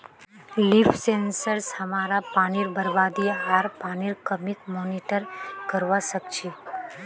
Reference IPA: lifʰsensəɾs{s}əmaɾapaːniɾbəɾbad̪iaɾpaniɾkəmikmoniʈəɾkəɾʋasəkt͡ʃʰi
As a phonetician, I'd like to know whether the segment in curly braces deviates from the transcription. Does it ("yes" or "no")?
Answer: yes